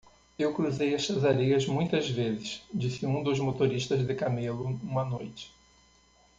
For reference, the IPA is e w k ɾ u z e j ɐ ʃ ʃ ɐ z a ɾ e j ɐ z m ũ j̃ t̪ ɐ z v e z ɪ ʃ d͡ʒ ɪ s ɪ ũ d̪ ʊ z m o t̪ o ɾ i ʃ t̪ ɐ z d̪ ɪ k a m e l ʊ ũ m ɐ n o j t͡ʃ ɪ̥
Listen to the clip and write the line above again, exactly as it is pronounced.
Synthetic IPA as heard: e w k ɾ u z e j ɐ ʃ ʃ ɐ z a ɾ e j ɐ z m ũ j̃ t̪ ɐ z v e z ɪ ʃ d͡ʒ i s ɪ ũ d̪ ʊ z m o t̪ o ɾ i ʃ t̪ ɐ z d̪ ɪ k a m e l ʊ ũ m ɐ n o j t͡ʃ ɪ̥